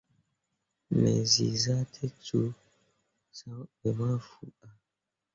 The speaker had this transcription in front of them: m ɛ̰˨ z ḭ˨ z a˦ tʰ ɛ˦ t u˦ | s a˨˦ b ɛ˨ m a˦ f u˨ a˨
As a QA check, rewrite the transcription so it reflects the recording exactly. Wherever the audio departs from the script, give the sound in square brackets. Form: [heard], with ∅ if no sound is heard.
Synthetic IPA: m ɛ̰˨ z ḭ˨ z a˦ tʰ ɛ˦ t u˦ | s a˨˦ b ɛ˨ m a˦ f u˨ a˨